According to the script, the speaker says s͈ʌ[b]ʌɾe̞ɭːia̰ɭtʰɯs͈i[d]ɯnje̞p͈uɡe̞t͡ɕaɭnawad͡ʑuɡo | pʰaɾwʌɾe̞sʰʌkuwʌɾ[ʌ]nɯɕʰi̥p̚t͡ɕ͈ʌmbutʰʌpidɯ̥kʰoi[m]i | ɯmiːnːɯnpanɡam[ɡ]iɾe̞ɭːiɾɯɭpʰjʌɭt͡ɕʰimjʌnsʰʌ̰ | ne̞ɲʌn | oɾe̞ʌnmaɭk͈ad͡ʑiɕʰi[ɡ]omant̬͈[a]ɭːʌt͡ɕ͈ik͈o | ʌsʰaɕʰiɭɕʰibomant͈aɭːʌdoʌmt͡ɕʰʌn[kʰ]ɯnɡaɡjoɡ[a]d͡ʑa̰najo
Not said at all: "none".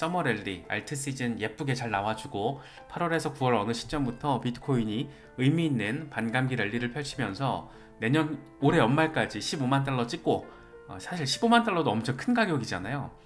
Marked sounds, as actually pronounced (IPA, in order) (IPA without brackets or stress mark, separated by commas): m, d͡ʑ, ʌ, ɲ, ɡ, b, a, kʰ, i